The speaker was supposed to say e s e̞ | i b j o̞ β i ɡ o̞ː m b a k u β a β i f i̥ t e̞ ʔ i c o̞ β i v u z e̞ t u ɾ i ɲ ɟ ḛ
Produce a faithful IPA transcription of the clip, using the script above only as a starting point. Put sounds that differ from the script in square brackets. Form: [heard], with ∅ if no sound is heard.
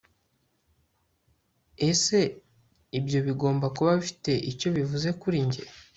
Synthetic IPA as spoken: e s e̞ | i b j o̞ β i ɡ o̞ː m b a k u β a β i f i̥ t e̞ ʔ i c o̞ β i v u z e̞ [k] u ɾ i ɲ ɟ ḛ